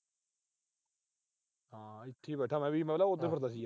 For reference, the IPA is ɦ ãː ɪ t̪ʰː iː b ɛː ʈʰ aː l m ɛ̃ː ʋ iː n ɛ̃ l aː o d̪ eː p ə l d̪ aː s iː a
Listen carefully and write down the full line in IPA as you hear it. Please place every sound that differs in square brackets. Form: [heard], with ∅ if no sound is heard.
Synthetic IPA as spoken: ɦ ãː ɪ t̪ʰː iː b ɛː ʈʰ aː [∅] m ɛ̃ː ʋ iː [m] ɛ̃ l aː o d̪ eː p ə [ɾ] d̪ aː s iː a